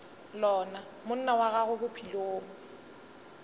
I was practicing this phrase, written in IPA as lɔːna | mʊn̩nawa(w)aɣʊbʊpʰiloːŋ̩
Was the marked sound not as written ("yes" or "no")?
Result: yes